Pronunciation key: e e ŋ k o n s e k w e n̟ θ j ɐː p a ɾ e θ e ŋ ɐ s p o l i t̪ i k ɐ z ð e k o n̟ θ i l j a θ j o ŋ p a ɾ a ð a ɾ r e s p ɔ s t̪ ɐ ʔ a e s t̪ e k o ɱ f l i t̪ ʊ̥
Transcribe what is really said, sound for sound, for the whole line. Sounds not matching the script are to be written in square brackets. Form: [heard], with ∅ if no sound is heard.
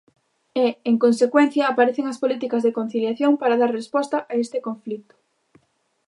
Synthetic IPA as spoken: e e ŋ k o n s e k w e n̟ θ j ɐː p a ɾ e θ e ŋ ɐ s p o l i t̪ i k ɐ z ð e k o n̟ θ i l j a θ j o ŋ p a ɾ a ð a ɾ r e s p ɔ s t̪ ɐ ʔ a e s t̪ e k o ɱ f l i t̪ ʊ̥